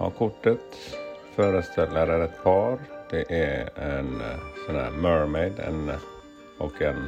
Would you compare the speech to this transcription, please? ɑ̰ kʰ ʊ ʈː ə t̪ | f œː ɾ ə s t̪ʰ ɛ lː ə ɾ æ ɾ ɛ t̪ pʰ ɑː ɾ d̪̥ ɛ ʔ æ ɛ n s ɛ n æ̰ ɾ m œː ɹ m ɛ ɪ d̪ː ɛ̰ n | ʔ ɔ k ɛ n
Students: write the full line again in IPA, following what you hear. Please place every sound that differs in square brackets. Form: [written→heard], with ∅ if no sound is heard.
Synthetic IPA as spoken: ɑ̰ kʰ ʊ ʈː ə t̪ | f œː ɾ ə s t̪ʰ ɛ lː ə ɾ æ ɾ ɛ t̪ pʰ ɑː ɾ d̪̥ ɛ ʔ æ ɛ n s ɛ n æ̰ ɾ m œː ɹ m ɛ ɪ [d̪ː→d̪] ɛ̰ n | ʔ ɔ k ɛ n